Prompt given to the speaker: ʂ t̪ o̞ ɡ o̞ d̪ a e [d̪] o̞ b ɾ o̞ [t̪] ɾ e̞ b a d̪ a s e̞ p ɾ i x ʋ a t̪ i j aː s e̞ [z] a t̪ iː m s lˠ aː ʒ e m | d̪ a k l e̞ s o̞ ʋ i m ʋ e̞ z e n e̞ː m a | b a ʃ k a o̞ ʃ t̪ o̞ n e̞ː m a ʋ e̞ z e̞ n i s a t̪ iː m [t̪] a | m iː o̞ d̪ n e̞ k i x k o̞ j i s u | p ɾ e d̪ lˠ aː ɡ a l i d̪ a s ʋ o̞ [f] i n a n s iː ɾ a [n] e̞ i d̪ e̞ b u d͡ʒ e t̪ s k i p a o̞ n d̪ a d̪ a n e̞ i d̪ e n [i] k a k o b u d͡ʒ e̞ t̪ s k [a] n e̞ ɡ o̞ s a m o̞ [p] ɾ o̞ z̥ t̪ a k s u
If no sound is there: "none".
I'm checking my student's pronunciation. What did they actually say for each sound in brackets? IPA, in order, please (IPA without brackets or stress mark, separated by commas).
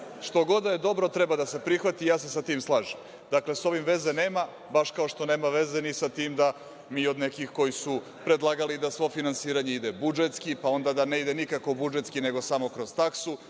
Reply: d̪, t̪, s, d̪, f, ɲ, i, i, k